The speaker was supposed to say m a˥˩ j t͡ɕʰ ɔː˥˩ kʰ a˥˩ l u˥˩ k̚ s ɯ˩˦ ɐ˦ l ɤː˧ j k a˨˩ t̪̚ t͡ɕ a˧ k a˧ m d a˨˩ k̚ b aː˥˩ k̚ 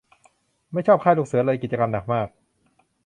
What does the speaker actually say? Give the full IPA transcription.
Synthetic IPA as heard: m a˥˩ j t͡ɕʰ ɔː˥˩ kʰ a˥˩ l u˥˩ k̚ s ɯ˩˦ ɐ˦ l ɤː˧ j k i˨˩ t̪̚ t͡ɕ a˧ k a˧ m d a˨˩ k̚ m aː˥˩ k̚